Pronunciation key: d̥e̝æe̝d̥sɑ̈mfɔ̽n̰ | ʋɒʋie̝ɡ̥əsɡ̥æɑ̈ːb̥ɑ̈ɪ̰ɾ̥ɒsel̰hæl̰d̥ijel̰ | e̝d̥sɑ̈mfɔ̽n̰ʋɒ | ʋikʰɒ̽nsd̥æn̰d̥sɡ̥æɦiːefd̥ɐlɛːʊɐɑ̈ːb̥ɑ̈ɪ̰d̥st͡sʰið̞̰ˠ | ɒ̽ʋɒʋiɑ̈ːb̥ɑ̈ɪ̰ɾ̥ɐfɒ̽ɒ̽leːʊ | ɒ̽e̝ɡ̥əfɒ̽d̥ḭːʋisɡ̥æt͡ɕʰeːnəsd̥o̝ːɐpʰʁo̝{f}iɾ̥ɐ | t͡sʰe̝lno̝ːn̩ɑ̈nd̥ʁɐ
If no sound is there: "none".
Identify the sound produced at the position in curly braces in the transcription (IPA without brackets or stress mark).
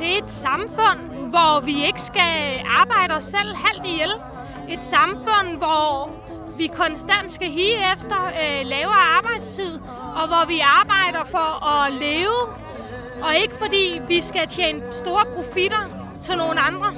f